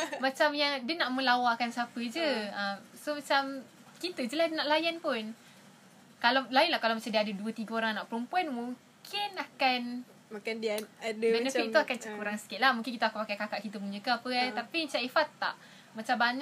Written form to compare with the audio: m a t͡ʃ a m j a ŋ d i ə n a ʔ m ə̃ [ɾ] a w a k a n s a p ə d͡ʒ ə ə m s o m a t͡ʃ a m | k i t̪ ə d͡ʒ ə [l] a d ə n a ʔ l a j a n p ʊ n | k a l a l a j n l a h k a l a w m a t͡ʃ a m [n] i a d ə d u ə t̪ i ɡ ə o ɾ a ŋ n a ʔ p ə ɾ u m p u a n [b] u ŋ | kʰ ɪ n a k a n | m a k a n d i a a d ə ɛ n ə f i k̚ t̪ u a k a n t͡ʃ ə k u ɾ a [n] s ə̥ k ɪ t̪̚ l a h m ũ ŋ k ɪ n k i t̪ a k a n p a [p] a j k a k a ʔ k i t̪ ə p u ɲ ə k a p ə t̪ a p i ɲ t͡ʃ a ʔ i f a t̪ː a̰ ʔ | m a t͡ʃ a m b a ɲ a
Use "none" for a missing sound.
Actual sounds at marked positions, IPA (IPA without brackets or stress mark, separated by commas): l, l, d, m, ŋ, k